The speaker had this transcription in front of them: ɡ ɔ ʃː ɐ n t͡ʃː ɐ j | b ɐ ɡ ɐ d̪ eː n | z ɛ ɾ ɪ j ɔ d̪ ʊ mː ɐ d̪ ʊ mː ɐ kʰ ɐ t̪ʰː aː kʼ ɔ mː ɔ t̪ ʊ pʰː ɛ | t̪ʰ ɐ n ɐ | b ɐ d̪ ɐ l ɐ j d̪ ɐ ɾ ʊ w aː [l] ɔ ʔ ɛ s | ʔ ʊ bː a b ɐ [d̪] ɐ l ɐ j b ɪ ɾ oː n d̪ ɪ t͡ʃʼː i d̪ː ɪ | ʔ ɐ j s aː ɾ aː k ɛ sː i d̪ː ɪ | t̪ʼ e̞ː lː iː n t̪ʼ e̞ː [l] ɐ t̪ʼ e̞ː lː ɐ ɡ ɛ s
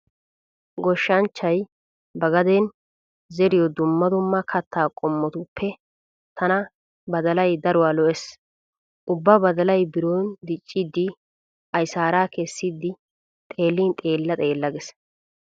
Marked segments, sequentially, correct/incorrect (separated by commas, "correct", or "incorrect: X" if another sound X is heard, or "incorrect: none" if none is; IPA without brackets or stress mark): correct, correct, incorrect: lː